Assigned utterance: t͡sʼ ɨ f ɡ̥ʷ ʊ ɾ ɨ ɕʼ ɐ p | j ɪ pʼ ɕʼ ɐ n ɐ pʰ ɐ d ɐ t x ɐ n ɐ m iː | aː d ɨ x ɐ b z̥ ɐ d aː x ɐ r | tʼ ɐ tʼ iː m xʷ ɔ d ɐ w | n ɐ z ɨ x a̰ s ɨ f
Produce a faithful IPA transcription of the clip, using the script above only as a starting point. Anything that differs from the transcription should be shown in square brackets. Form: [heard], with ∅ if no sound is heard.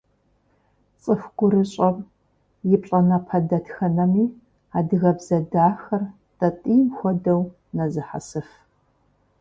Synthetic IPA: t͡sʼ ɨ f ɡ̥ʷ ʊ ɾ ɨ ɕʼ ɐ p | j ɪ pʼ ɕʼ ɐ n ɐ pʰ ɐ d ɐ t x ɐ n ɐ m iː | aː d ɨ [ɣ] ɐ b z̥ ɐ d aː x ɐ r | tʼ ɐ tʼ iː m xʷ ɔ d ɐ w | n ɐ z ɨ [ħ] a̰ s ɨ f